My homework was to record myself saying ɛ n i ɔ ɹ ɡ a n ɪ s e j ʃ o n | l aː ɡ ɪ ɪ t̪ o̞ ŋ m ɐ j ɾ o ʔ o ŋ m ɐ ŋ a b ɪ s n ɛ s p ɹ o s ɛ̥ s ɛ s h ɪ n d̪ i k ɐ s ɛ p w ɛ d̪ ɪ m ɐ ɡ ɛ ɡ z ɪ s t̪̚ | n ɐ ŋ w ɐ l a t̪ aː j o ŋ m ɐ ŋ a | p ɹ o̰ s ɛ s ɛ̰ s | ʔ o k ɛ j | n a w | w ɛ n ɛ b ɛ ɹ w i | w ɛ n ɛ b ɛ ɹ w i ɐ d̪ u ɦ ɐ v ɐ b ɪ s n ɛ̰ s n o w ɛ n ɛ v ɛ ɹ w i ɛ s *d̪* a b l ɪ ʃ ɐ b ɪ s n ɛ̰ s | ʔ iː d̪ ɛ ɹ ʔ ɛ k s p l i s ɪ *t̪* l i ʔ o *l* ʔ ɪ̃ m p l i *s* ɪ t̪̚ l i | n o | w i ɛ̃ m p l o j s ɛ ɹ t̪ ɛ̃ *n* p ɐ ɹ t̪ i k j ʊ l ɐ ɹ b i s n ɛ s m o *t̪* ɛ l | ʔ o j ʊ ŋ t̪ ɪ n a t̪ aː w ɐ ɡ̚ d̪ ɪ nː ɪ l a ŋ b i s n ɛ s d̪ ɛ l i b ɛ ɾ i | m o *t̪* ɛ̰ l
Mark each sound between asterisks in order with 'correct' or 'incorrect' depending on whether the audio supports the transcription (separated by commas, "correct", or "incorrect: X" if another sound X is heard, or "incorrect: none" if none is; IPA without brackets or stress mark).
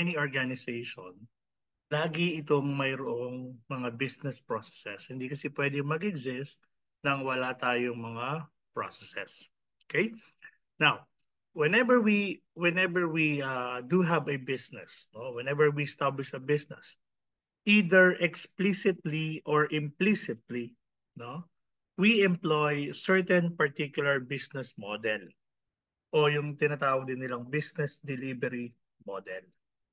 incorrect: t̪, correct, incorrect: ɹ, correct, correct, incorrect: d̪, incorrect: d̪